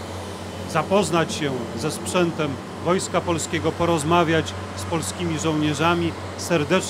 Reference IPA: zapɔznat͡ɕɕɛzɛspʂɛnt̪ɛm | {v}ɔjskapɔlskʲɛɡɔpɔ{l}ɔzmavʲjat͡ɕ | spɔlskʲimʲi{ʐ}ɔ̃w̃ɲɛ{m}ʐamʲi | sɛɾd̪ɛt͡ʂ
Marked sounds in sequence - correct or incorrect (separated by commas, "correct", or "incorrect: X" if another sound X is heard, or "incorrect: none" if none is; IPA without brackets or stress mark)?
correct, incorrect: ɾ, correct, incorrect: none